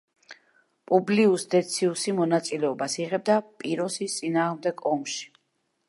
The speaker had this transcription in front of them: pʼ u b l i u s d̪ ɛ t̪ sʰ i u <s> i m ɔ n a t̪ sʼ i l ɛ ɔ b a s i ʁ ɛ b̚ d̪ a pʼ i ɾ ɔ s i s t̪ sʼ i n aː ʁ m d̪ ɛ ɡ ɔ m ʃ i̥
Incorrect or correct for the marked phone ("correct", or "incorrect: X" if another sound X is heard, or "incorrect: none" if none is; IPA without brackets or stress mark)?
correct